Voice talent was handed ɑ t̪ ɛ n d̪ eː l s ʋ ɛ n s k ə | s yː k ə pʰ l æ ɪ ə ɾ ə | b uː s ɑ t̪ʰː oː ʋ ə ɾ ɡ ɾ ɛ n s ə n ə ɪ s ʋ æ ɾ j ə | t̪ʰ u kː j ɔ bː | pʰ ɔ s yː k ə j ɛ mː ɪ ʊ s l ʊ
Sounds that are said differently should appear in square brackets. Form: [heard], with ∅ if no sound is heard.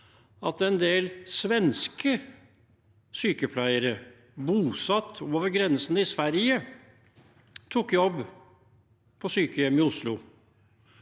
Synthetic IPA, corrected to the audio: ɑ t̪ ɛ n d̪ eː l s ʋ ɛ n s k ə | s yː k ə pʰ l æ ɪ ə ɾ ə | b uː s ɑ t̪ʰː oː ʋ ə ɾ ɡ ɾ ɛ n s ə n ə ɪ s ʋ æ ɾ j ə | t̪ʰ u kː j ɔ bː | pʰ ɔ s yː k ə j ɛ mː ɪ ʊ s l ʊ

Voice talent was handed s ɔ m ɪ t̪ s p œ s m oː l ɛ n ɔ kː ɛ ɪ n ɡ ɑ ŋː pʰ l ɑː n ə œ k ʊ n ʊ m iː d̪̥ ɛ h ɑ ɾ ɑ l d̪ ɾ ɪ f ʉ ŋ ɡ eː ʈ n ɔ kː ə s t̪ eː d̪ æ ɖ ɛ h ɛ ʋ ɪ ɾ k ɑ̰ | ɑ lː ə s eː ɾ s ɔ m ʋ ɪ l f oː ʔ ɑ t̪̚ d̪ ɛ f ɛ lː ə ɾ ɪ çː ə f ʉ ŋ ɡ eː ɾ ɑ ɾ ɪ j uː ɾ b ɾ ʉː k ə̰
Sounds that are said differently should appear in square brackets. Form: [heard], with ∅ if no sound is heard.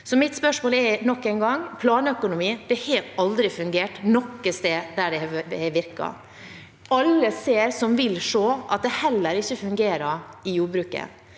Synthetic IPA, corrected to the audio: s ɔ m ɪ t̪ s p œ [ʂ] m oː l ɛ n ɔ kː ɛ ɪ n ɡ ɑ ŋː pʰ l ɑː n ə œ k ʊ n ʊ m iː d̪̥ ɛ h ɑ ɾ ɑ l d̪ ɾ ɪ f ʉ ŋ ɡ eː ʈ n ɔ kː ə s t̪ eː d̪ æ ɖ ɛ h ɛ ʋ ɪ ɾ k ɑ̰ | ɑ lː ə s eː ɾ s ɔ m ʋ ɪ l [ʂ] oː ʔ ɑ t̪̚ d̪ ɛ [h] ɛ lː ə ɾ ɪ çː ə f ʉ ŋ ɡ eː ɾ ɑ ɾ ɪ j uː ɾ b ɾ ʉː k ə̰

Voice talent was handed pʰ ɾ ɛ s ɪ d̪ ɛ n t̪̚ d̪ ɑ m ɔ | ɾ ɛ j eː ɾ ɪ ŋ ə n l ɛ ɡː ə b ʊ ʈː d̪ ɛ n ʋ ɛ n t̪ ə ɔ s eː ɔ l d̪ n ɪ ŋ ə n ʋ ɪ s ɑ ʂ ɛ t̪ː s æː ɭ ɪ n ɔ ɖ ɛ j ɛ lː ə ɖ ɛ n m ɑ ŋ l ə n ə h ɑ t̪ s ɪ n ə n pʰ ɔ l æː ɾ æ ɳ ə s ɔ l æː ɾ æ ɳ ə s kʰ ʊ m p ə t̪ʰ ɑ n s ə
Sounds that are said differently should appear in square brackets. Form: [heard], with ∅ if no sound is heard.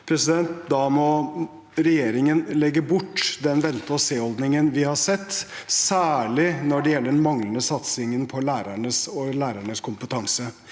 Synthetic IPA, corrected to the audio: pʰ ɾ ɛ s ɪ d̪ ɛ n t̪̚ d̪ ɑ m ɔ | ɾ ɛ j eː ɾ ɪ ŋ ə n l ɛ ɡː ə b ʊ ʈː d̪ ɛ n ʋ ɛ n t̪ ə ɔ s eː ɔ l d̪ n ɪ ŋ ə n ʋ ɪ [h] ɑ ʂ ɛ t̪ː s æː ɭ ɪ n ɔ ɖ ɛ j ɛ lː ə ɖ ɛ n m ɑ ŋ l ə n ə [s] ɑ t̪ s ɪ [ŋ] ə n pʰ ɔ l æː ɾ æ ɳ ə s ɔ l æː ɾ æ ɳ ə s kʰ ʊ m p ə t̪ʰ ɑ [ŋ] s ə

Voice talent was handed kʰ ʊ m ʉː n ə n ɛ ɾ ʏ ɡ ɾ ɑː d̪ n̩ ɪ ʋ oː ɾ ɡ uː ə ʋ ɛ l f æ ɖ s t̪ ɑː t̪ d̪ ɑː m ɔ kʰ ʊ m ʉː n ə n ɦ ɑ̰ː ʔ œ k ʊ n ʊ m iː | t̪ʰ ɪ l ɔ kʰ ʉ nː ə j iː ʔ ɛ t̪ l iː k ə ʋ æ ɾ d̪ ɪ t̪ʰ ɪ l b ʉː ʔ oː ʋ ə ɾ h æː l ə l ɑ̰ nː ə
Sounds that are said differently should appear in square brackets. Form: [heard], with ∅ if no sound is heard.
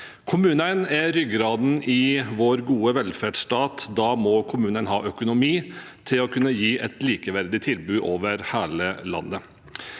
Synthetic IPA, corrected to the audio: kʰ ʊ m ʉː n ə n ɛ ɾ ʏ ɡ ɾ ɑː d̪ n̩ ɪ ʋ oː ɾ ɡ uː ə ʋ ɛ l f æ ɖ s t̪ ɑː t̪ d̪ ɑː m ɔ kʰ ʊ m ʉː n ə n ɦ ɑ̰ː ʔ œ k ʊ n ʊ m iː | t̪ʰ ɪ l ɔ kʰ ʉ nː ə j iː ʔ ɛ t̪ l iː k ə ʋ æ ɾ d̪ ɪ t̪ʰ ɪ l b ʉː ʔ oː ʋ ə ɾ h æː l ə l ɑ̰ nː ə

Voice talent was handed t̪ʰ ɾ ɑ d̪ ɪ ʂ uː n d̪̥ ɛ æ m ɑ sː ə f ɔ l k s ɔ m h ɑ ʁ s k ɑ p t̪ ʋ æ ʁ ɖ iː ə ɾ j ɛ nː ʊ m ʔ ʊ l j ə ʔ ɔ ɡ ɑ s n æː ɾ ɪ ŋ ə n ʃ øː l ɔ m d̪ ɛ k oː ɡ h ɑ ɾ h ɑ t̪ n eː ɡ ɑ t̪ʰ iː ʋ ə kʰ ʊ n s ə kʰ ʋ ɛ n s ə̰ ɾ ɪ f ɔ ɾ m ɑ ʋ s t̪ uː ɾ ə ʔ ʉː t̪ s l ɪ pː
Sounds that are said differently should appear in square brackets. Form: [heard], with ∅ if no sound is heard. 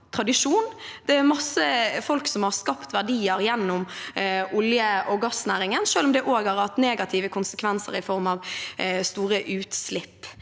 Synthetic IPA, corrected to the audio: t̪ʰ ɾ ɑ d̪ ɪ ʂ uː n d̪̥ ɛ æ m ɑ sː ə f ɔ l k s ɔ m h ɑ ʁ s k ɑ p t̪ ʋ æ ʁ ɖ iː ə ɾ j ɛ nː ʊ m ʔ ʊ l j ə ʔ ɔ ɡ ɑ s n æː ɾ ɪ ŋ ə n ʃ øː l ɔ m d̪ ɛ [ʔ] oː ɡ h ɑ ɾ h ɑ t̪ n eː ɡ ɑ t̪ʰ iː ʋ ə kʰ ʊ n s ə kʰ ʋ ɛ n s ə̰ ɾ ɪ f ɔ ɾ m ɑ ʋ s t̪ uː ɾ ə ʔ ʉː t̪ s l ɪ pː

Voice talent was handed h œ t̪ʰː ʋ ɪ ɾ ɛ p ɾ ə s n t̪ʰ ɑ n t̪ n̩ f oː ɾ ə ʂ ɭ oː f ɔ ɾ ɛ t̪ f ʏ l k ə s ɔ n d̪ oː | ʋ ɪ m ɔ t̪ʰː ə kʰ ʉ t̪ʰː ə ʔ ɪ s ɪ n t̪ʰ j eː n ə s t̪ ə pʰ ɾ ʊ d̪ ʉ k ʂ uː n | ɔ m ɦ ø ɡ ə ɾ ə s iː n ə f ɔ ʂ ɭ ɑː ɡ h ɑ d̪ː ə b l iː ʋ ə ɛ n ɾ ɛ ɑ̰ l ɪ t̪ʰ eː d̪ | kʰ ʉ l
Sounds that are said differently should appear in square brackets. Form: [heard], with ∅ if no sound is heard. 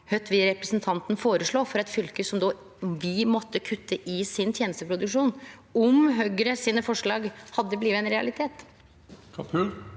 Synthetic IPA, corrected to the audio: h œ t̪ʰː ʋ ɪ ɾ ɛ p ɾ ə s n t̪ʰ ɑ n t̪ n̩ f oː ɾ ə ʂ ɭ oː f ɔ ɾ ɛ t̪ f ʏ l k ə s ɔ [m] d̪ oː | ʋ ɪ m ɔ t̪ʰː ə kʰ ʉ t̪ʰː ə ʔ ɪ s ɪ n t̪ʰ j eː n ə s t̪ ə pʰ ɾ ʊ d̪ ʉ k ʂ uː n | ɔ m ɦ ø ɡ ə ɾ ə s iː n ə f ɔ ʂ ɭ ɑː ɡ h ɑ d̪ː ə b l iː ʋ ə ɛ n ɾ ɛ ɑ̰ l ɪ t̪ʰ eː [t̪] | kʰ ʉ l

